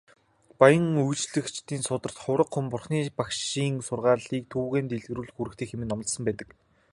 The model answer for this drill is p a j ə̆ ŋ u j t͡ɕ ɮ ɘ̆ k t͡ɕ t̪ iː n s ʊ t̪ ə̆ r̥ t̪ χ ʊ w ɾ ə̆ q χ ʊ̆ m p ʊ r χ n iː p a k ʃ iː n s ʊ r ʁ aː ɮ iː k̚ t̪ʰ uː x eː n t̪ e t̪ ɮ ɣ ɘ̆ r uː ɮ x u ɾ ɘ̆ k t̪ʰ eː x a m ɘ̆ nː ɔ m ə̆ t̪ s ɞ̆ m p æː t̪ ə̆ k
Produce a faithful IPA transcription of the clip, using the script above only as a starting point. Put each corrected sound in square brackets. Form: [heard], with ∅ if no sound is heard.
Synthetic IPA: p a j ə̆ ŋ u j t͡ɕ ɮ ɘ̆ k t͡ɕ t̪ iː n s ʊ t̪ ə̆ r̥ t̪ χ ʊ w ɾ ə̆ q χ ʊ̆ m p ʊ r χ n iː p a k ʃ iː [ŋ] s ʊ r ʁ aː ɮ iː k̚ t̪ʰ uː [ɣ] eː n t̪ e [∅] ɮ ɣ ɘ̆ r uː ɮ x u ɾ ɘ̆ k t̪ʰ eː x [e] m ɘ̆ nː ɔ m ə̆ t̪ s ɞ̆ m p æː t̪ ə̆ k